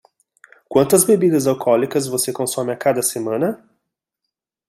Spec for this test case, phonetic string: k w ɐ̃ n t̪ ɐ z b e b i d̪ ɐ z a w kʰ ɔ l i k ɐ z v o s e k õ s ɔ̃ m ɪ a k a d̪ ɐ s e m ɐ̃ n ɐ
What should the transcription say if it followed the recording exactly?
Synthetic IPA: k w ɐ̃ n t̪ ɐ z b e b i d̪ ɐ z a w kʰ ɔ l i k ɐ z v o s e k õ s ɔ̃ m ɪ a k a d̪ ɐ s e m ɐ̃ n ɐ